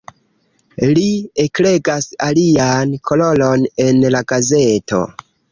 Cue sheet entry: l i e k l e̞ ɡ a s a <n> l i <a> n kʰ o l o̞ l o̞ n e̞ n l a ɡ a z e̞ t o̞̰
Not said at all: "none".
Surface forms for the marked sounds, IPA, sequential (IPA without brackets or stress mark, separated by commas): none, a